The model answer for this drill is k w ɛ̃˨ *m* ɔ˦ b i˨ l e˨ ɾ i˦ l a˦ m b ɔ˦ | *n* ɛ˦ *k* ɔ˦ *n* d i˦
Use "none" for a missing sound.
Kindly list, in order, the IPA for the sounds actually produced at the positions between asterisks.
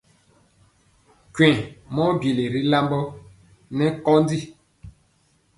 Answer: m, n, k, n

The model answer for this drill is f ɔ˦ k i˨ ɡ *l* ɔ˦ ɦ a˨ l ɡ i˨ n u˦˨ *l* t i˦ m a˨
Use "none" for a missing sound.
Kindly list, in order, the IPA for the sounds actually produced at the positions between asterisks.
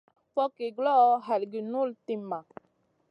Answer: l, l

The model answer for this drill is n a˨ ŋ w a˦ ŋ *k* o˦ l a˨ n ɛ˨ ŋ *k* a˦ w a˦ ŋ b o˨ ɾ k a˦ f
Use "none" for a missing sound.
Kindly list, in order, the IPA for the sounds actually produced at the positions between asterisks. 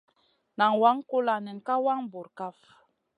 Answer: k, k

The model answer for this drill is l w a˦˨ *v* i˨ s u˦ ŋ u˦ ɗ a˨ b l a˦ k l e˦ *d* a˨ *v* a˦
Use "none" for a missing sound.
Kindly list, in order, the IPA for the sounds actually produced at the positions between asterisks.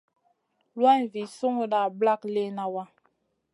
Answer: v, n, w

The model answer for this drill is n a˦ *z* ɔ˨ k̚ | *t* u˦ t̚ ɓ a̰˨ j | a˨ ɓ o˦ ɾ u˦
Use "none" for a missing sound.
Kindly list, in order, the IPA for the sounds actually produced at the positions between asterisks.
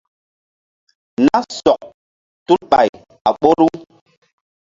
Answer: s, t

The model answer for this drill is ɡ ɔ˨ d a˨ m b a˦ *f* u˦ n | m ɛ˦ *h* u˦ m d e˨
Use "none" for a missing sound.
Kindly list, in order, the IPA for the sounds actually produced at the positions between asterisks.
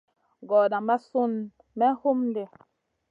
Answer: s, h

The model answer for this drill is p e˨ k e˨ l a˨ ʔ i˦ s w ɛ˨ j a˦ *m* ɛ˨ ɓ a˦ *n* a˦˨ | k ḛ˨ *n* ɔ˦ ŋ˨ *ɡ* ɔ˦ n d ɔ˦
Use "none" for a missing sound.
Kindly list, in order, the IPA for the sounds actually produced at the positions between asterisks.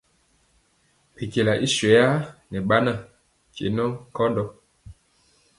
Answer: n, n, n, k

